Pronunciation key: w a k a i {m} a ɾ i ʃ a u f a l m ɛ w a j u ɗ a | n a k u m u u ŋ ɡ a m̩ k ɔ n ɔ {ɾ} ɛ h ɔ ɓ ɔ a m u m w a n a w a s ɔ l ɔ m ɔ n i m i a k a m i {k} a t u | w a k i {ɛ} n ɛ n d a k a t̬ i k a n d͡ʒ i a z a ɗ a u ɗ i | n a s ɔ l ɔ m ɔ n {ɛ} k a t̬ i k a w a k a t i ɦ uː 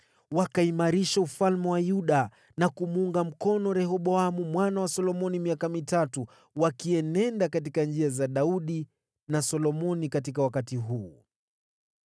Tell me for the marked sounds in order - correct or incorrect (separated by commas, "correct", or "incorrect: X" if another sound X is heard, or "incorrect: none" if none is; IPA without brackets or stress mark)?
correct, correct, incorrect: t, correct, incorrect: i